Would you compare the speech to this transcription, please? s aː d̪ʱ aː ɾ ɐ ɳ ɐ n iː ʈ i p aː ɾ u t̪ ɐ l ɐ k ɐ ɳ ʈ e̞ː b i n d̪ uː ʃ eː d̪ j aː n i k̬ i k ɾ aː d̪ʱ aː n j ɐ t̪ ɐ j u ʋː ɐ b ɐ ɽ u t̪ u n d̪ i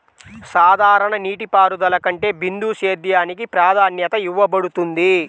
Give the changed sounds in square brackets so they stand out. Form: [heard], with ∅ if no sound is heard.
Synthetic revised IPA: s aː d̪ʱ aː ɾ ɐ ɳ ɐ n iː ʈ i p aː ɾ u [d̪] ɐ l ɐ k ɐ ɳ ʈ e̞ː b i n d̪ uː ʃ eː d̪ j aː n i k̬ i [p] ɾ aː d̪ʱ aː n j ɐ t̪ ɐ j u ʋː ɐ b ɐ ɽ u t̪ u n d̪ i